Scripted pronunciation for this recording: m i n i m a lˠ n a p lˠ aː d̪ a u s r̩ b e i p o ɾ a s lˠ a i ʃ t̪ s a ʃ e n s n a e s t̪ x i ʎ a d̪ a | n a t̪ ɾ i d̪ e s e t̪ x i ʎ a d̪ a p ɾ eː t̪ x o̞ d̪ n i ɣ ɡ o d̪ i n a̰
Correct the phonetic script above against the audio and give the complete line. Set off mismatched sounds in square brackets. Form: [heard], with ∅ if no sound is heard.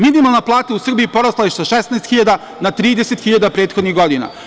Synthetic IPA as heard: m i n i m a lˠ n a p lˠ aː [t̪] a u s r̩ b [i] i p o ɾ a s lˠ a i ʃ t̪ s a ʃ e [∅] s n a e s t̪ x i ʎ a d̪ a | n a t̪ ɾ [iː] d̪ e s e t̪ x i ʎ a d̪ a p ɾ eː t̪ x o̞ d̪ n i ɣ ɡ o d̪ i n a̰